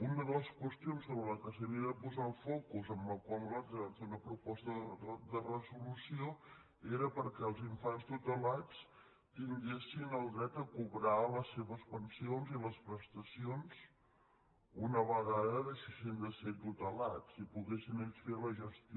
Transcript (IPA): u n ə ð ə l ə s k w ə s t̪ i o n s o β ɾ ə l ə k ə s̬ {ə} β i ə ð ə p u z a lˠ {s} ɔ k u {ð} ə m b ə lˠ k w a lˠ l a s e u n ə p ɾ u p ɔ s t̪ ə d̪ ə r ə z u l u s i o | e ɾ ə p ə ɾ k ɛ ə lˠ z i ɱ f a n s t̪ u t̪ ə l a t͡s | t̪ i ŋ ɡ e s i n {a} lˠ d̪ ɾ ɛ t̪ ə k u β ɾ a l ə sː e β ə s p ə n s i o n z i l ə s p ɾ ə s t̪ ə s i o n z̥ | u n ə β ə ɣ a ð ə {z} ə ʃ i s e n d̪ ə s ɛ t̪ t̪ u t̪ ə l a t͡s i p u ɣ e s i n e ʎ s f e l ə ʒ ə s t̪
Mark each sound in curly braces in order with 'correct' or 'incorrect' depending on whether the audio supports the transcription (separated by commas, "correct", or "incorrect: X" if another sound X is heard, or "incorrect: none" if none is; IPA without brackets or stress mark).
correct, incorrect: f, incorrect: z, incorrect: ə, incorrect: ð